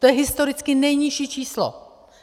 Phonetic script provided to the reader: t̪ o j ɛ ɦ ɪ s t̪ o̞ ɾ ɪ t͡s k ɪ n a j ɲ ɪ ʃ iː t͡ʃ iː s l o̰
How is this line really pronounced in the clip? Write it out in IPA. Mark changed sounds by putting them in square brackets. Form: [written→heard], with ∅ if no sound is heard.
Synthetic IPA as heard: t̪ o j ɛ ɦ ɪ s t̪ o̞ ɾ ɪ t͡s k ɪ n [a→ɛ] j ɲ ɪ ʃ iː t͡ʃ iː s l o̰